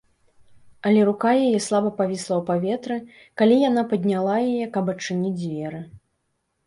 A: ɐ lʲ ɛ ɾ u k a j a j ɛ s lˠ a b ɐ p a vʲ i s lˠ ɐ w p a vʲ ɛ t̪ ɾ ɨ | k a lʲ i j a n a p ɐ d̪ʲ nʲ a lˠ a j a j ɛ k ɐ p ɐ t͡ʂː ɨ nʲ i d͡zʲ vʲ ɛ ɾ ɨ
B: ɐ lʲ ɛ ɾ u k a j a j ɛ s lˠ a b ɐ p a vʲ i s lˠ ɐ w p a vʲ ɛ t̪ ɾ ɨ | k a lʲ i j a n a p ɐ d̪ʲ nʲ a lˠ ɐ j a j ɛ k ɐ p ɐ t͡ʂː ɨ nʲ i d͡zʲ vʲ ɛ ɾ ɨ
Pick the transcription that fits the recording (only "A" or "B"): A